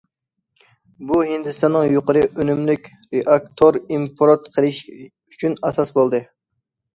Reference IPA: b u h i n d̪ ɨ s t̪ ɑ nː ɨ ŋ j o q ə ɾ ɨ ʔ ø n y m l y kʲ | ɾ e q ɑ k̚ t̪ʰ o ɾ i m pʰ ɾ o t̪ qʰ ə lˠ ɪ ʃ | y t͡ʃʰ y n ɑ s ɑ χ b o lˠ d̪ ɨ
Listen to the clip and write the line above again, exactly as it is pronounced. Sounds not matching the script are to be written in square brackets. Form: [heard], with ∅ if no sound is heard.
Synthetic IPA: b u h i n d̪ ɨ s t̪ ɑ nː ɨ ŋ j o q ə ɾ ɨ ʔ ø n y m l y kʲ | ɾ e [ʔ] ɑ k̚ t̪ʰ o ɾ i m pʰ ɾ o t̪ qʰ ə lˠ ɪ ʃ | y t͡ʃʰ y n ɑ s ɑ [s] b o lˠ d̪ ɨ